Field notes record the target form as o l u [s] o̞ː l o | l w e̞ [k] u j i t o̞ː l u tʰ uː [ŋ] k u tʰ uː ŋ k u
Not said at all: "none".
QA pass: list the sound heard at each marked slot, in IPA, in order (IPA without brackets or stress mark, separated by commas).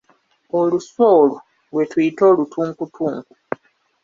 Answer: s, t, ŋ